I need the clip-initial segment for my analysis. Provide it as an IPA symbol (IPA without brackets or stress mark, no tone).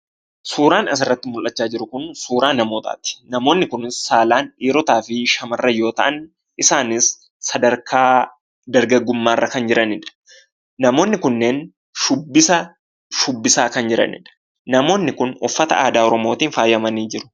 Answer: s